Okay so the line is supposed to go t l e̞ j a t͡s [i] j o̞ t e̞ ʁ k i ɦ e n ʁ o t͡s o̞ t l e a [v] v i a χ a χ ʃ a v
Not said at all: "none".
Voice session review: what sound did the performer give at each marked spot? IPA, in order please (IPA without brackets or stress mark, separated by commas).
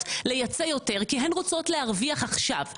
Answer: e, ʁ